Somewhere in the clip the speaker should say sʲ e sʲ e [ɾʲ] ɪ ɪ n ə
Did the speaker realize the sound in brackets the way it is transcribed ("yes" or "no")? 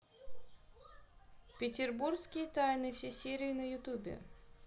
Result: yes